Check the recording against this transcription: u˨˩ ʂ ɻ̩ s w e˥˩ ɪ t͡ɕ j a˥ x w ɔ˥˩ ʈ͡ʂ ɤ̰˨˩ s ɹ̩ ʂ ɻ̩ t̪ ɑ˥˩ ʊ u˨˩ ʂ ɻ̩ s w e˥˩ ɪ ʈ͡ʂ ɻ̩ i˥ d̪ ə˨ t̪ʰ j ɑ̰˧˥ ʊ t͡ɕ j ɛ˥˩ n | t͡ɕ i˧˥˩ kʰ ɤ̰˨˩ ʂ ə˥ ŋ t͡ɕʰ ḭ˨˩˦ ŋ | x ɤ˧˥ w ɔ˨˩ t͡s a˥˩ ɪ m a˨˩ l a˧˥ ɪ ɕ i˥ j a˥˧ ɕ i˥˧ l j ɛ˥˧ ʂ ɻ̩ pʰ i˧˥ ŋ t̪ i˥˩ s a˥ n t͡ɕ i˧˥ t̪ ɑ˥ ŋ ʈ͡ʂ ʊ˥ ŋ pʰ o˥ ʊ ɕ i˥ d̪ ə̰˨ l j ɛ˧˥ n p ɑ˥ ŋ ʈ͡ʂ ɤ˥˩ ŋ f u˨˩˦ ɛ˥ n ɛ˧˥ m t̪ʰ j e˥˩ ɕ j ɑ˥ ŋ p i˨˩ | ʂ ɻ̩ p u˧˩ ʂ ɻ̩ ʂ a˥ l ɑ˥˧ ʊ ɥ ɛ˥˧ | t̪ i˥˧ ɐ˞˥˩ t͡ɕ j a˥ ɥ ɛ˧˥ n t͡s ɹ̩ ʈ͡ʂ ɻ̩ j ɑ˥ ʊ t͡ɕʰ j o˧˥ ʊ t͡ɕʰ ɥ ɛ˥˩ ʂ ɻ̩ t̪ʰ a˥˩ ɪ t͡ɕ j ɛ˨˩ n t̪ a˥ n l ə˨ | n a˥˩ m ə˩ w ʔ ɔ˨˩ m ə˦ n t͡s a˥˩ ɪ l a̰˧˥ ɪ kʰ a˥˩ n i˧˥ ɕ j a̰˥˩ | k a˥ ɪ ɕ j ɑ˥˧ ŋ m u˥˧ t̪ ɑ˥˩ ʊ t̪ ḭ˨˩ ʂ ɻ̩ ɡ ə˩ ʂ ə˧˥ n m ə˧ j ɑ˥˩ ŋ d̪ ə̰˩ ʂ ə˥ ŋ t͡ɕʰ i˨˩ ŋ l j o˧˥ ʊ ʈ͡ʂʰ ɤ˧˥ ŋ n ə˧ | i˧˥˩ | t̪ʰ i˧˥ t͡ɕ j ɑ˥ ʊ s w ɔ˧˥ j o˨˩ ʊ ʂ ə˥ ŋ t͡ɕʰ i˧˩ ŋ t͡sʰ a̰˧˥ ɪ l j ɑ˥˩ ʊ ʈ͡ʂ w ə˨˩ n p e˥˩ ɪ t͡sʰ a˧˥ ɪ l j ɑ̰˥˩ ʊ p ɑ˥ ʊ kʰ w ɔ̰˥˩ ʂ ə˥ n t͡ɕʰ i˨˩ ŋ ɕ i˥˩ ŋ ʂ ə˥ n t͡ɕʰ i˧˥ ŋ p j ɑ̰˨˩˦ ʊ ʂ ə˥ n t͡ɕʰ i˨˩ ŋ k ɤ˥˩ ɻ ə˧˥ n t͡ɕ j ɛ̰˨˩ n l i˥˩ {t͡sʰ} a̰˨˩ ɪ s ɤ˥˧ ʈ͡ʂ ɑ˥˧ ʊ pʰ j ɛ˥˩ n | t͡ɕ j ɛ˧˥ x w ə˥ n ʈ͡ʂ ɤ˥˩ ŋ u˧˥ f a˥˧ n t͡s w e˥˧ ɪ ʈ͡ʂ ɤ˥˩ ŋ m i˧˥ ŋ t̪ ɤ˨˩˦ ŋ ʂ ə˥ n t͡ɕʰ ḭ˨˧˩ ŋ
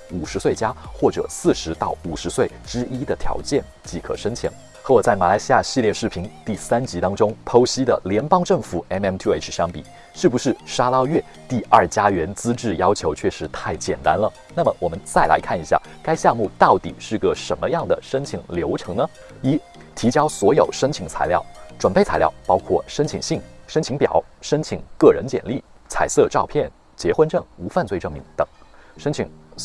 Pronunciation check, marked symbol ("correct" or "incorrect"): correct